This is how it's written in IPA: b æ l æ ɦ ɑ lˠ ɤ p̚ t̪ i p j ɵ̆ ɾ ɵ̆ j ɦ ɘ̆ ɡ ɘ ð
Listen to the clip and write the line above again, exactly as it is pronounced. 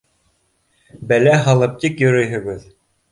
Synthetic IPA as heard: b æ l æ ɦ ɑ lˠ ɤ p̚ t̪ i k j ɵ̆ ɾ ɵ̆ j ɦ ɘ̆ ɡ ɘ ð